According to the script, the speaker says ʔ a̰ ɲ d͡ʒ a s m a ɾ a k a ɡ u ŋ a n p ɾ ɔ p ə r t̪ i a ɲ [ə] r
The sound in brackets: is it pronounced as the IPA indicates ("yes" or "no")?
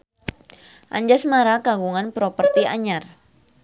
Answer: no